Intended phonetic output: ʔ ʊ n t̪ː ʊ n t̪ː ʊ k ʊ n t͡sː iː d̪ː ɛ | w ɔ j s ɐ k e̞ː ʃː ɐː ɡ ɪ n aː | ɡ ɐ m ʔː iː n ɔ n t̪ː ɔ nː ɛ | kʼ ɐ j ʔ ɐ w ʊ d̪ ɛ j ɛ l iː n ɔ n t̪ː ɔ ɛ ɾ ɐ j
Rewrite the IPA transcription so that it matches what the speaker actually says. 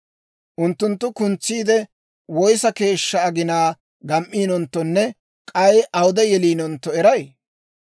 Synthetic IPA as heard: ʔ ʊ n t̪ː ʊ n t̪ː ʊ k ʊ n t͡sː iː d̪ ɛ | w ɔ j s ɐ k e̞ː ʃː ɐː ɡ ɪ n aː | ɡ ɐ m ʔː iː n ɔ n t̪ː ɔ nː ɛ | kʼ ɐ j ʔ ɐ w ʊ d̪ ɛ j ɛ l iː n ɔ n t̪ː ɔ ɛ ɾ ɐ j